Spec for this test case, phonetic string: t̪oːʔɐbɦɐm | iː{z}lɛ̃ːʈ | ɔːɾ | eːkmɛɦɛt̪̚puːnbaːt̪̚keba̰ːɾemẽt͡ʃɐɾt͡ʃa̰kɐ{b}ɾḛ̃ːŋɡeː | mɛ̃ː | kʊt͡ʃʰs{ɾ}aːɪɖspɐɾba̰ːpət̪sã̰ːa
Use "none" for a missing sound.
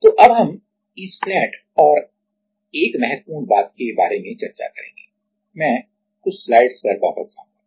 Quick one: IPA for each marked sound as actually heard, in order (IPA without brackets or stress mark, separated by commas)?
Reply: s, none, l